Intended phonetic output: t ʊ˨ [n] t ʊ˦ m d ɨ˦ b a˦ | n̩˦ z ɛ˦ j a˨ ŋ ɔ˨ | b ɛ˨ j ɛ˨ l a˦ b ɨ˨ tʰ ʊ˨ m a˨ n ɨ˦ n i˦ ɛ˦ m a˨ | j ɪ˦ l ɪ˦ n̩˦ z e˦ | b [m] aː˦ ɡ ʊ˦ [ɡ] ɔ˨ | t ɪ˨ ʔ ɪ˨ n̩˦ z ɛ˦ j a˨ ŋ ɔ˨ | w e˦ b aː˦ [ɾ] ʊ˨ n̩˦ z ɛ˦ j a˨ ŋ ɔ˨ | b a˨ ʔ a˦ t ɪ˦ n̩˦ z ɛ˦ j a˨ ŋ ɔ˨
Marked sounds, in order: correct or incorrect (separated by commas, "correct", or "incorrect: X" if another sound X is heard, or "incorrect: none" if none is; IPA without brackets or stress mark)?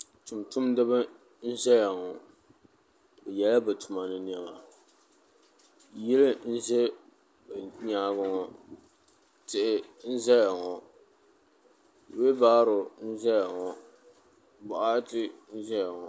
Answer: incorrect: m, incorrect: ɲ, incorrect: ŋ, correct